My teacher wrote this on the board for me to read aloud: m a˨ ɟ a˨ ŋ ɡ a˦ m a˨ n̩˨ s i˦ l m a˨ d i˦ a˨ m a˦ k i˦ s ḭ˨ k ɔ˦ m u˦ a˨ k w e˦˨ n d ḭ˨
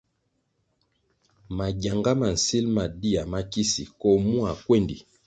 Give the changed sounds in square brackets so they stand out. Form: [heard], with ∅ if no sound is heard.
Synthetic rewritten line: m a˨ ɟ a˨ ŋ ɡ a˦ m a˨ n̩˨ s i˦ l m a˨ d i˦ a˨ m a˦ k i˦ s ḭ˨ k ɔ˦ m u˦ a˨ k w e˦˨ n d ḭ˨